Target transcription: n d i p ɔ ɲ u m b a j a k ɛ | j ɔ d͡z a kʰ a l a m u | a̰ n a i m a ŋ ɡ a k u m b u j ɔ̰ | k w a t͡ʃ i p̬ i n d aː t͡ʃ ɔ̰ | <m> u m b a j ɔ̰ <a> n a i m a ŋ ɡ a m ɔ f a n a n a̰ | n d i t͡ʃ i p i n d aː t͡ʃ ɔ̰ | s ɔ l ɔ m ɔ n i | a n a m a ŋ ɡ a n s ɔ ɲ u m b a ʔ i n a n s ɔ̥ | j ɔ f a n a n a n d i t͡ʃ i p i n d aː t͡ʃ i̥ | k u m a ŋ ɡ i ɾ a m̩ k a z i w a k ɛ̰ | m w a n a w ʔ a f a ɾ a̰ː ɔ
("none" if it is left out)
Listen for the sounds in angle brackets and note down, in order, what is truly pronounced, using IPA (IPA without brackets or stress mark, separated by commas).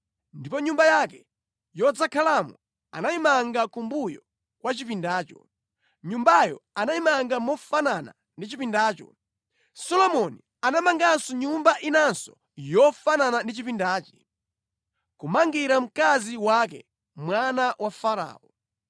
ɲ, a